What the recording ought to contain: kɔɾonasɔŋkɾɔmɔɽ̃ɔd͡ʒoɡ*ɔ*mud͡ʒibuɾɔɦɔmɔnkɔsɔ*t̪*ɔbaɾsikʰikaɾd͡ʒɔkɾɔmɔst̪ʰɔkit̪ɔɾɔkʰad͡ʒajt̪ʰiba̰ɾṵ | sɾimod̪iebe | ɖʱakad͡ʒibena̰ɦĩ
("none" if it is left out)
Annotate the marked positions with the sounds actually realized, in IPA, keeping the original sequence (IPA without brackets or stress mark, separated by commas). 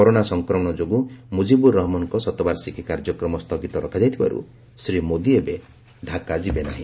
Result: u, t̪